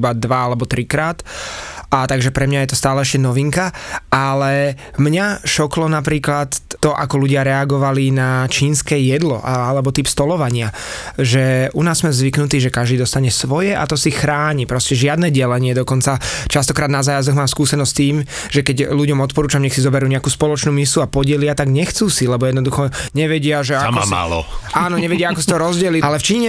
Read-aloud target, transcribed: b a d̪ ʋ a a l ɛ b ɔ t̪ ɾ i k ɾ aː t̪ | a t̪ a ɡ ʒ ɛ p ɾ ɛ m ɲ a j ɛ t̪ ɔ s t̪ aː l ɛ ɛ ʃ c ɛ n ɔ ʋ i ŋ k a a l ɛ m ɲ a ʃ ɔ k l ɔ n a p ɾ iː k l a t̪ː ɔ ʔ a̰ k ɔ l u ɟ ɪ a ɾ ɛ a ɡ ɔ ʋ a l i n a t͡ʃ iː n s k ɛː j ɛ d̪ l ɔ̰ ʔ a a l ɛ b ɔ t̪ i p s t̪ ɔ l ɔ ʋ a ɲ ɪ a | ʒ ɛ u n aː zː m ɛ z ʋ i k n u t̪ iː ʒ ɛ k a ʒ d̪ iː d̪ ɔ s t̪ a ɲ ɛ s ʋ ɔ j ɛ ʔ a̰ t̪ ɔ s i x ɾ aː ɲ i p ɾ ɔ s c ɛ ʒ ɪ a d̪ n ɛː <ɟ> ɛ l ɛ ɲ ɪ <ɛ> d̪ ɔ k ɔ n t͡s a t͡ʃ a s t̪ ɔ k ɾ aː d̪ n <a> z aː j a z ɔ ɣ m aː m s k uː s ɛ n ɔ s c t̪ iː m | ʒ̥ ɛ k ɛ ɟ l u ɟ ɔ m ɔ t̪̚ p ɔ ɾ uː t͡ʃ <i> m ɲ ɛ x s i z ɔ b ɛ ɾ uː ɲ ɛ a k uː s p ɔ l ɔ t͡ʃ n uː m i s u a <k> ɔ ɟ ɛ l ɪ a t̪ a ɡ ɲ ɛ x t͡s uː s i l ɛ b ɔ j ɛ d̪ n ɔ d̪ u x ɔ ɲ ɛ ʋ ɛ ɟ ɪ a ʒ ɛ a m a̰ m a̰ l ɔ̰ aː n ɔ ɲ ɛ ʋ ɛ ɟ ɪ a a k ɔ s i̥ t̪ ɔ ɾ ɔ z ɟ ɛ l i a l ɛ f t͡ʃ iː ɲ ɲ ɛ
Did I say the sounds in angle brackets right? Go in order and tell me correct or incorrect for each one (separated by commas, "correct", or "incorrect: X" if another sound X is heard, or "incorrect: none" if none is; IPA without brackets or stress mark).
correct, correct, correct, incorrect: a, incorrect: p